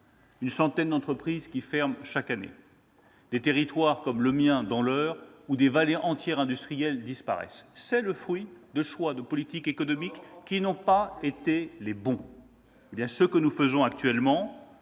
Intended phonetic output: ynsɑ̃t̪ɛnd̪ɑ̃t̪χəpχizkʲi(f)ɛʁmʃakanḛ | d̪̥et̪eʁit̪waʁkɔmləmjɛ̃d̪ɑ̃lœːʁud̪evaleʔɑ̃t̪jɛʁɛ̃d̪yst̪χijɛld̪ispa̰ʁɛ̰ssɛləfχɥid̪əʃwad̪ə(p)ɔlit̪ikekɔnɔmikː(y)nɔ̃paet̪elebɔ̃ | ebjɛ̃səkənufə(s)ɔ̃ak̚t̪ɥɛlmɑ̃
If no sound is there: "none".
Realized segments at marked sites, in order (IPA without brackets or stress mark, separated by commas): f, p, i, z